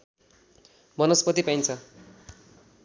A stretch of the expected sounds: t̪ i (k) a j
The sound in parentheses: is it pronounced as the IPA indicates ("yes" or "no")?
no